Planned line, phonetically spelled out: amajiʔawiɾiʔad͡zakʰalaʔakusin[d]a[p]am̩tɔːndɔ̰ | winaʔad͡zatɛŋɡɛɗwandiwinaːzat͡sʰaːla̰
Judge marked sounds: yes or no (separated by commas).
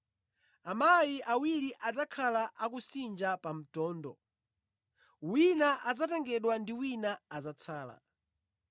no, yes